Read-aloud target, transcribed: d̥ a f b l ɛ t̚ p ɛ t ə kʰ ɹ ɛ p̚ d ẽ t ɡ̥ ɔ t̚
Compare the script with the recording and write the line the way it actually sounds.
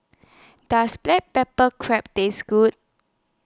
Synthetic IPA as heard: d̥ a s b l ɛ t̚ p ɛ p ə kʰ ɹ ɛ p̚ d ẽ s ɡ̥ u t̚